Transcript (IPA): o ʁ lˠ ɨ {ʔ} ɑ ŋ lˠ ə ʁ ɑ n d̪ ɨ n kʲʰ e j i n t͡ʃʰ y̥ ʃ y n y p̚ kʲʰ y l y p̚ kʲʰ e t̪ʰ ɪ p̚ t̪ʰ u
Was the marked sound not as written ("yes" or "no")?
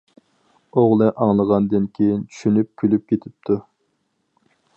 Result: no